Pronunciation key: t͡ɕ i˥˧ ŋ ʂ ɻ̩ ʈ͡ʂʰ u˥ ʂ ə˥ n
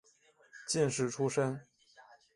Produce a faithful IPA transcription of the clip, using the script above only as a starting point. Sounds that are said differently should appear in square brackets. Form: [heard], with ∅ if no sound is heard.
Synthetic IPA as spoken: t͡ɕ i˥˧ [n] ʂ ɻ̩ ʈ͡ʂʰ u˥ ʂ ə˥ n